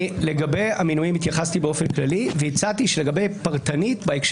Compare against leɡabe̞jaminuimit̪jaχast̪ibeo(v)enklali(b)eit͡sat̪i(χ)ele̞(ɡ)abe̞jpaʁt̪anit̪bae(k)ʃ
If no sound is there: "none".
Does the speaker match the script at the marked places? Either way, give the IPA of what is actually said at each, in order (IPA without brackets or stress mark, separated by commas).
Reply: f, v, ʃ, ɡ, k